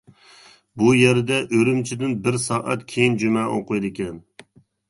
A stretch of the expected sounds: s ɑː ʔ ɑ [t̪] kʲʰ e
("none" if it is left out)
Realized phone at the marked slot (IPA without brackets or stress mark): t̪